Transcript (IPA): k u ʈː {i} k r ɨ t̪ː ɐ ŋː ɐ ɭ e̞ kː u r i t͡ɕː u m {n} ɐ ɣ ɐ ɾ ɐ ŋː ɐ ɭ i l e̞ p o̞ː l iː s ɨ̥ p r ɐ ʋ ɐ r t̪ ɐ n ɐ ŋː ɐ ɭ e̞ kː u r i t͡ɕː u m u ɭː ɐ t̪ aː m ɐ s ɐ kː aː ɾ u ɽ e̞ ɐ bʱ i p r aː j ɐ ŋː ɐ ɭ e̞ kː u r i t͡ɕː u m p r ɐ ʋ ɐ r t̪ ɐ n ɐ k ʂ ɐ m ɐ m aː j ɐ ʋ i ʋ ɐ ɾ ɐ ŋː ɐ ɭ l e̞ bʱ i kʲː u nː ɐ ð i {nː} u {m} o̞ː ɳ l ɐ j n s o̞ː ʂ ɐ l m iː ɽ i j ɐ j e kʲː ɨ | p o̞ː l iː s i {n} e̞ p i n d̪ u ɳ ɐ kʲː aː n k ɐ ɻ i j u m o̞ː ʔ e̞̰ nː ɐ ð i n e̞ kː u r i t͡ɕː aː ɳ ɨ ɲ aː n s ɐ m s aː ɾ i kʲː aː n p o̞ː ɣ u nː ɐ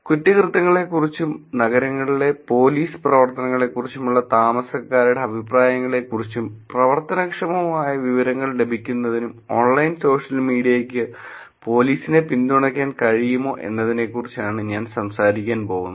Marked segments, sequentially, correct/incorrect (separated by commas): correct, correct, incorrect, correct, correct